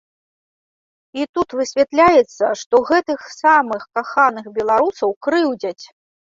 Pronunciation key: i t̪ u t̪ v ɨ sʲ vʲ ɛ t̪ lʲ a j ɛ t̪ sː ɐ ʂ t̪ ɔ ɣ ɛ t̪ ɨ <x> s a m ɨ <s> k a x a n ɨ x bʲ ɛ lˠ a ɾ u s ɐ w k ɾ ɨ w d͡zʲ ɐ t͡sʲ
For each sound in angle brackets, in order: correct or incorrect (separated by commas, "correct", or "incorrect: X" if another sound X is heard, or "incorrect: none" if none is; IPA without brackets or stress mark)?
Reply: correct, incorrect: x